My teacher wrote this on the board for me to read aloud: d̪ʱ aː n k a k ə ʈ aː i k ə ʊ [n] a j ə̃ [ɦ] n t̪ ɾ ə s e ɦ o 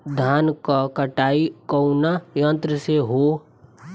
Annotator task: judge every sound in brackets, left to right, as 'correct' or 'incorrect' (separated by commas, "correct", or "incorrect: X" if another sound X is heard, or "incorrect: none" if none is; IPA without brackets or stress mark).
correct, incorrect: none